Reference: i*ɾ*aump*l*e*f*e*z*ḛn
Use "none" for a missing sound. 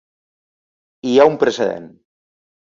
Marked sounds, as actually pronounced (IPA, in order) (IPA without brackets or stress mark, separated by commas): none, ɾ, s, ð